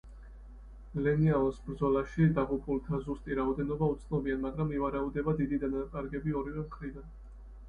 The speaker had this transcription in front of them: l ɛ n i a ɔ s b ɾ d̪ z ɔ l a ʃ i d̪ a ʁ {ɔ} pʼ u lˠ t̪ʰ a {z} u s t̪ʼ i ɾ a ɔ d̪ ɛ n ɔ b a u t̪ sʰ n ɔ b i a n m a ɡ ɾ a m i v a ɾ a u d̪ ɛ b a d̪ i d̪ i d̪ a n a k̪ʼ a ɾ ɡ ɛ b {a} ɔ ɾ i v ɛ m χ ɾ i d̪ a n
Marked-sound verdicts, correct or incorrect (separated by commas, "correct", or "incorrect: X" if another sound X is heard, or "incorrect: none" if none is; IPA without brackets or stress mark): incorrect: u, correct, incorrect: i